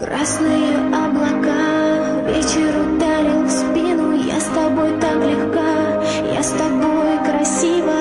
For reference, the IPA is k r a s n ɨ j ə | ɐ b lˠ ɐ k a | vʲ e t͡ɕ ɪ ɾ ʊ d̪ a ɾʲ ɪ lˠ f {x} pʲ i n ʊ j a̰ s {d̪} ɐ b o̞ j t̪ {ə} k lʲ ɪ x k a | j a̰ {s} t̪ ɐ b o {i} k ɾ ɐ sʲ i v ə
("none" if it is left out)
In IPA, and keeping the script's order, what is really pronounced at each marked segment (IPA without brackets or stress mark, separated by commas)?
s, t̪, a, s, j